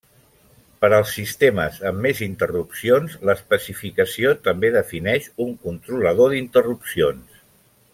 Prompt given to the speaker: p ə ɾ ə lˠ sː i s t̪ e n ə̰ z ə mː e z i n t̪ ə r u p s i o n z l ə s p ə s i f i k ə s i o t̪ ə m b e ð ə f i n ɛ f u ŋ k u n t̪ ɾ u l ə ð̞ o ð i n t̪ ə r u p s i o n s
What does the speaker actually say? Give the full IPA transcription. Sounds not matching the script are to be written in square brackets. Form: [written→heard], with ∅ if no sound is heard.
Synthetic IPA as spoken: p ə ɾ ə lˠ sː i s t̪ e [n→m] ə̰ z ə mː e z i n t̪ ə r u p s i o n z l ə s p ə s i f i k ə s i o t̪ ə m b e ð ə f i n ɛ [f→ʃ] u ŋ k u n t̪ ɾ u l ə ð̞ o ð i n t̪ ə r u p s i o n s

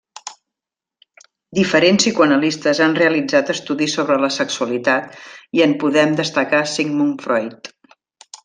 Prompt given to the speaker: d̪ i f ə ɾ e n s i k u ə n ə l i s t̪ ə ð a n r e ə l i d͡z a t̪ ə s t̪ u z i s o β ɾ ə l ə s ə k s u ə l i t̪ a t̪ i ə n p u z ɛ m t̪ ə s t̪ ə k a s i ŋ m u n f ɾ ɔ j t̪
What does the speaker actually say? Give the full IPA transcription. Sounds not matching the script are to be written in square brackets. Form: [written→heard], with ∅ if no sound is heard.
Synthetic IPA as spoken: d̪ i f ə ɾ e n s i k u ə n ə l i s t̪ ə [ð→z] a n r e ə l i d͡z a t̪ ə s t̪ u [z→ð] i s o β ɾ ə l ə s ə k s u ə l i t̪ a t̪ i ə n p u [z→ð] ɛ m [t̪→d̪] ə s t̪ ə k a s i ŋ m u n f ɾ ɔ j t̪

